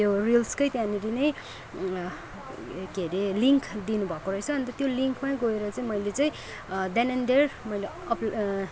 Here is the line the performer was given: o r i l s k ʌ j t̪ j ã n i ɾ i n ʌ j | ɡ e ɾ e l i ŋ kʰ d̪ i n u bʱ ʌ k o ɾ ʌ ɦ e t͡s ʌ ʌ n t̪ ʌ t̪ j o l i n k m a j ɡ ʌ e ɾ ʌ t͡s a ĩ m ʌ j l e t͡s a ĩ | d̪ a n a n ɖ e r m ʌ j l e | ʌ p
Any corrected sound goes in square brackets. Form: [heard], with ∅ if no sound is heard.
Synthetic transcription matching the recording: o r i l s k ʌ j t̪ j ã n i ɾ i n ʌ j | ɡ e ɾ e l i ŋ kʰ d̪ i n u bʱ ʌ k o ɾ ʌ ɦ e [t͡sʰ] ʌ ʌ n t̪ ʌ t̪ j o l i [ŋ] k m a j ɡ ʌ e ɾ ʌ t͡s a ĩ m ʌ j l e t͡s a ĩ | d̪ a n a n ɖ e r m ʌ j l e | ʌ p